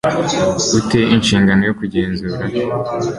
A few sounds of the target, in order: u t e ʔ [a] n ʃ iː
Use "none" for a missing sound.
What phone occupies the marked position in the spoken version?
i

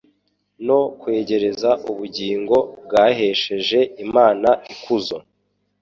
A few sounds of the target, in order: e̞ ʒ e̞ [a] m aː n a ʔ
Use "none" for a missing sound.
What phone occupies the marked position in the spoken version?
i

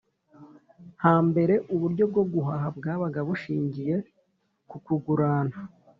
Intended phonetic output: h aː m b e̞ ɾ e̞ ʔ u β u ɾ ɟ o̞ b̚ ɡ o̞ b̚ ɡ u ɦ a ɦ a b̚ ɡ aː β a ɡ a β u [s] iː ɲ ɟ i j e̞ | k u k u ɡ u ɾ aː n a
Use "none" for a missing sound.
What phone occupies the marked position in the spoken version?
ʃ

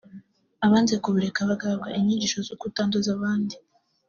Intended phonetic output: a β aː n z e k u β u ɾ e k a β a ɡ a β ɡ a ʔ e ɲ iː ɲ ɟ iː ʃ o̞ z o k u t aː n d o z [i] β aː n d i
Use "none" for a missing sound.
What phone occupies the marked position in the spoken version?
a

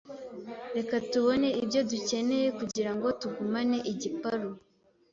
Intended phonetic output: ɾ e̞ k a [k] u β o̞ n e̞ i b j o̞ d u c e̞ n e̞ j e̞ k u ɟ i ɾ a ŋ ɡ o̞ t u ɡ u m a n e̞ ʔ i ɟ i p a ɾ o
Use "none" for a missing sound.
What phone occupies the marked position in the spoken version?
t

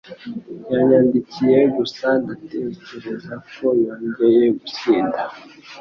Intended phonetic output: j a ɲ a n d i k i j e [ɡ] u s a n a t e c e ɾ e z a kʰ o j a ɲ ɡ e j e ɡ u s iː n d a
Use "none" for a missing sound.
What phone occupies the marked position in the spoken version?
ɡ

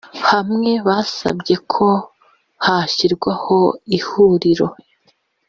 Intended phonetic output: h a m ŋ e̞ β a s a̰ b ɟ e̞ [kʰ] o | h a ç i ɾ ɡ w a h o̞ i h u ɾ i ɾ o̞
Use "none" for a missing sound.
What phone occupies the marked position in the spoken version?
kʰ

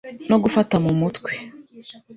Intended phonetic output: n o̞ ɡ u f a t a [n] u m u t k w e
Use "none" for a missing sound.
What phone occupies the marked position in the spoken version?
m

